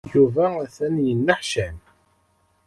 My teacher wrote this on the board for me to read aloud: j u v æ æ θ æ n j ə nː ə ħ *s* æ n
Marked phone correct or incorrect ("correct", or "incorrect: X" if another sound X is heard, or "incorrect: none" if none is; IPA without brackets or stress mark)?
incorrect: ʃ